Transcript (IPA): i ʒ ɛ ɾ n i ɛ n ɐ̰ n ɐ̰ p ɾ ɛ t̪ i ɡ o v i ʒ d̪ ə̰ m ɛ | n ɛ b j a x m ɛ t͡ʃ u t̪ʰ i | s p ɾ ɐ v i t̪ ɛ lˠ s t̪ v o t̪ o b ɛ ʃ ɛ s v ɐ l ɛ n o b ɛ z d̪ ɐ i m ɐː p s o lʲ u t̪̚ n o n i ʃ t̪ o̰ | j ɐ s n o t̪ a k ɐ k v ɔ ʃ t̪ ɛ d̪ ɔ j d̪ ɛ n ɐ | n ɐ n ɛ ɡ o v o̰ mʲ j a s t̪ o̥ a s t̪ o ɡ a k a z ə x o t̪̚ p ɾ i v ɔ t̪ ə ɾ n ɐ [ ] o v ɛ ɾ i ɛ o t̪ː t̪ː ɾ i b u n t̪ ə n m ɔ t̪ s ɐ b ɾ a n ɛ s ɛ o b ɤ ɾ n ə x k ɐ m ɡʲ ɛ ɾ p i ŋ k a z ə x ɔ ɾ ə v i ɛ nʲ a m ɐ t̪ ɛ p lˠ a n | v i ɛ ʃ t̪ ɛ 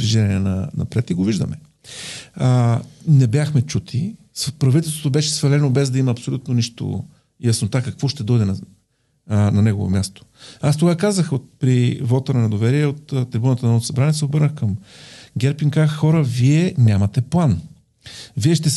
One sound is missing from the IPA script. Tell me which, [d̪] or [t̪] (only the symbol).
d̪